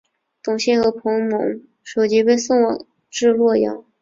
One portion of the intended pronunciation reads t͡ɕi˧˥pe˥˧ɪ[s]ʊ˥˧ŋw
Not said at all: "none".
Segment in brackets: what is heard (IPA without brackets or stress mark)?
s